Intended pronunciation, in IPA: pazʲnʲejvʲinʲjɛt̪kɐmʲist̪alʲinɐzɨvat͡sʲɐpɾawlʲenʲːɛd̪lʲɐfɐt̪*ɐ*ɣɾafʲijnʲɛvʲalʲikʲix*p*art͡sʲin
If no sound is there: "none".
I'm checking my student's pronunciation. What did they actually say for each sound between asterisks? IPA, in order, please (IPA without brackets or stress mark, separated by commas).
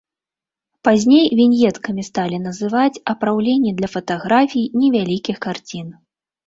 a, k